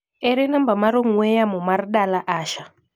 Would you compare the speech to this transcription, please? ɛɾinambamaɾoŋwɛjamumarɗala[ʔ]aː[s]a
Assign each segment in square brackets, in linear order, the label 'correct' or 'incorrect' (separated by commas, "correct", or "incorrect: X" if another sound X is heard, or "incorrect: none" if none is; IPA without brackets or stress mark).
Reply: correct, incorrect: ʃ